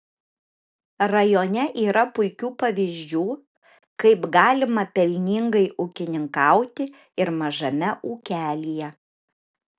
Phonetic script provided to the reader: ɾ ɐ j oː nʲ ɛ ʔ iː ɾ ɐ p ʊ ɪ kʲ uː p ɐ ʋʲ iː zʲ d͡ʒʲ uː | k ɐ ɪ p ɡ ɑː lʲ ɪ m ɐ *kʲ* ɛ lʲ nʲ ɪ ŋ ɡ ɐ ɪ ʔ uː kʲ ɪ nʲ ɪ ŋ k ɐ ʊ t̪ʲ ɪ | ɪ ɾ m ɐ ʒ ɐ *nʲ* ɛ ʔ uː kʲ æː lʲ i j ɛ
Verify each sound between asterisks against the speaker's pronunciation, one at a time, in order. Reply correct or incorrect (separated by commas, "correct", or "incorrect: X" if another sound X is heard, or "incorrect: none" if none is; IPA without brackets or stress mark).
incorrect: pʲ, incorrect: mʲ